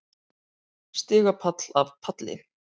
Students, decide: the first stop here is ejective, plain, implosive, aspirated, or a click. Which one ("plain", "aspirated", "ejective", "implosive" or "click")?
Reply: plain